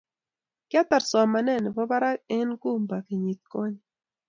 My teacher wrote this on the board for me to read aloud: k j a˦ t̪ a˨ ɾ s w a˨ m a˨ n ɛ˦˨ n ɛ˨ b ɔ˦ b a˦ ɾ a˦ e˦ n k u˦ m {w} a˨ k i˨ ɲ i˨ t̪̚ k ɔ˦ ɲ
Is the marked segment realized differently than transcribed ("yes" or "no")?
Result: yes